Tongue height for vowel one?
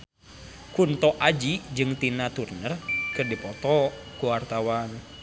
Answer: high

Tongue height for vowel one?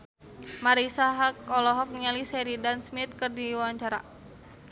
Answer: low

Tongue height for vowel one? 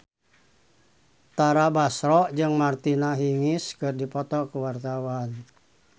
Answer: low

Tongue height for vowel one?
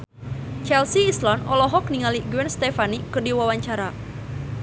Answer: mid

